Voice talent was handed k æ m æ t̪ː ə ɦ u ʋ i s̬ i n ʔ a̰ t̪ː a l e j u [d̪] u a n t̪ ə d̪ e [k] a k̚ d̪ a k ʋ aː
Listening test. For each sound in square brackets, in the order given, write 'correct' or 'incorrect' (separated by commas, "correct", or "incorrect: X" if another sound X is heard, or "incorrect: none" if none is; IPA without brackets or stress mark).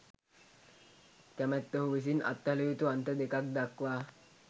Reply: incorrect: t̪, correct